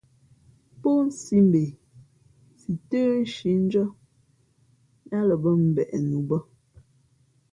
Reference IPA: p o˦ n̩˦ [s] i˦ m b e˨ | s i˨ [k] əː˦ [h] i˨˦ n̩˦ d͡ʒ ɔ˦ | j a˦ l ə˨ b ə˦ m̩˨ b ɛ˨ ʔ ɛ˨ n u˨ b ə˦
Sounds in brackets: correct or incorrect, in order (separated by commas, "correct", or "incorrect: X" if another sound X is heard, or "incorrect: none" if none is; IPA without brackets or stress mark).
correct, incorrect: t, incorrect: ʃ